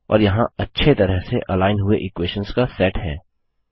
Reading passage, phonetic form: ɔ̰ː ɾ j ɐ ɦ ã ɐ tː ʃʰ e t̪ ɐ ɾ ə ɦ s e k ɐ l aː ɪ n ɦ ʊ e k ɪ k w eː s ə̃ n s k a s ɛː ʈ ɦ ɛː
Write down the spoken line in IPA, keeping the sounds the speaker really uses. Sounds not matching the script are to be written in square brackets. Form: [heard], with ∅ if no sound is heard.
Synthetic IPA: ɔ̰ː ɾ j ɐ ɦ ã ɐ tː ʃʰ e t̪ ɐ ɾ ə ɦ s e [ʔ] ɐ l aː ɪ n ɦ ʊ e [ʔ] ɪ k w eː [ʃ] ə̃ n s k a s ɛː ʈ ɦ ɛː